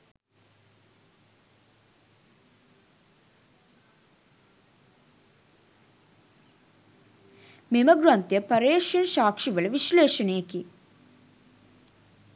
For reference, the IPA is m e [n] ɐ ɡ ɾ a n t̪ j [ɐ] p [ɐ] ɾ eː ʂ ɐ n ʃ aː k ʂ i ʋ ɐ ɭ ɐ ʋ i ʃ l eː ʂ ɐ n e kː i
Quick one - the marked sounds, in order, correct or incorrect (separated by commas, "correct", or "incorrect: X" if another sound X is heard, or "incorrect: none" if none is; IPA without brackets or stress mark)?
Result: incorrect: m, correct, correct